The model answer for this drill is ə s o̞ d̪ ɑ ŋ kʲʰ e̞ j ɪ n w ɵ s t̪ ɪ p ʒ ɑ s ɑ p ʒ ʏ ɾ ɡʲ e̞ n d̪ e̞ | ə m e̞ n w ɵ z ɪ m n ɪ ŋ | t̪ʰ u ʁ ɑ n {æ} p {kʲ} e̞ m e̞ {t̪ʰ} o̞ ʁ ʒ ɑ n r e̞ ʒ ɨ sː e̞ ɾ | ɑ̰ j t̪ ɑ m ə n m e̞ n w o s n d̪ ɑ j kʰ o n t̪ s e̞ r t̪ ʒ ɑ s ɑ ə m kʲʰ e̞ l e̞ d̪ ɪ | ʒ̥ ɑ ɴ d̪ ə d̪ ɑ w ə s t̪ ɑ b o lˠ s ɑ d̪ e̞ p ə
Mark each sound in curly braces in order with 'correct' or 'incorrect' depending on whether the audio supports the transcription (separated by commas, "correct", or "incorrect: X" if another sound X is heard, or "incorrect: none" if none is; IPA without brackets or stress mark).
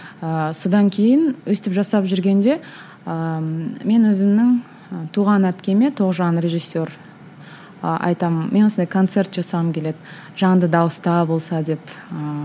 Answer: correct, correct, correct